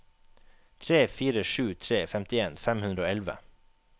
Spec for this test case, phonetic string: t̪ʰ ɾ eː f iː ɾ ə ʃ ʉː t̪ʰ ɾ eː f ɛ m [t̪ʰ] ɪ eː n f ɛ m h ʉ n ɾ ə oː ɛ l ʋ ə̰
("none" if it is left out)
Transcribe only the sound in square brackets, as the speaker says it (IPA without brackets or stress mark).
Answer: t̪